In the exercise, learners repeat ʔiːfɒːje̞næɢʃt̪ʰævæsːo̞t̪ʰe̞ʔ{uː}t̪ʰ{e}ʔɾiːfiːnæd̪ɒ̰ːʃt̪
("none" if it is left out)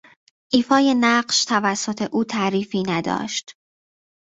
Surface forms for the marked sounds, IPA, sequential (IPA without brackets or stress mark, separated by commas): uː, æ